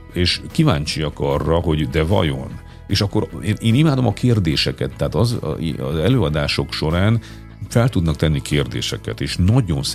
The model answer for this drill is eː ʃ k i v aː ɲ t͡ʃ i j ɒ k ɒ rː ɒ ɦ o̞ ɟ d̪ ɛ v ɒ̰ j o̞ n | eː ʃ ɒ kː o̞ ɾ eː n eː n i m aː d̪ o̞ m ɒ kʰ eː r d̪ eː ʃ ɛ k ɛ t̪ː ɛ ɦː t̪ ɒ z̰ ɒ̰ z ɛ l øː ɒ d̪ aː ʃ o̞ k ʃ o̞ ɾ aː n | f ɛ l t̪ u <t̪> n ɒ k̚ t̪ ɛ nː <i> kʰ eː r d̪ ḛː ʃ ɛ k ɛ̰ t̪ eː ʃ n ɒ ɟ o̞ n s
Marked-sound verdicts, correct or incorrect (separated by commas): incorrect, correct